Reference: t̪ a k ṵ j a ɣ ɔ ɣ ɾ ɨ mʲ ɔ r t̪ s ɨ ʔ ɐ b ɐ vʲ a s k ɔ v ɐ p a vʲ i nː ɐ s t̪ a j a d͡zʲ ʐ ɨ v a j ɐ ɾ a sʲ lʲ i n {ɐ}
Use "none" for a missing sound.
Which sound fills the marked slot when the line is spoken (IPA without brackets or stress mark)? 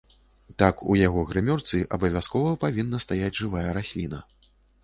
ɐ